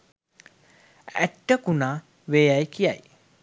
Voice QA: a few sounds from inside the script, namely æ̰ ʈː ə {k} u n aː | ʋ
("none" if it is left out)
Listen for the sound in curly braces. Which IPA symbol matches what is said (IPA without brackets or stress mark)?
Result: k